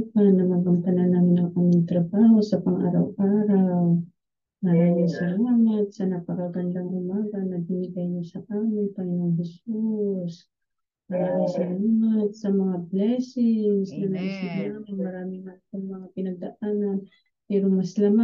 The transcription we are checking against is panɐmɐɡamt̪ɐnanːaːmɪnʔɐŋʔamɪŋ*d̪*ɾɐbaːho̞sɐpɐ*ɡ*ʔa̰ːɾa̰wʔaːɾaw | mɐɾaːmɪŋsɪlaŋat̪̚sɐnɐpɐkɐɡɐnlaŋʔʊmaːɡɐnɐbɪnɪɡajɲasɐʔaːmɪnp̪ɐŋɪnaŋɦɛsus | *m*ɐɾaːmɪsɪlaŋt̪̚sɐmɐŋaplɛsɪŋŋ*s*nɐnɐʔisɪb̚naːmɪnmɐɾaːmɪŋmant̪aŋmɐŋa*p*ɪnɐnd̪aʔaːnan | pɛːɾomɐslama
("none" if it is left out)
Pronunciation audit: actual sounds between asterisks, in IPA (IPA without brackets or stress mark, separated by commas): t̪, ŋ, m, s, p